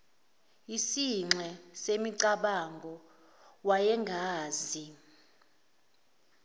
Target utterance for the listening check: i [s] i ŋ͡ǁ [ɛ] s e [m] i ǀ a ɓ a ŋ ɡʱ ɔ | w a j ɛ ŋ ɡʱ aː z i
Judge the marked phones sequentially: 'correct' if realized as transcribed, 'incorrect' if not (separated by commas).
correct, correct, correct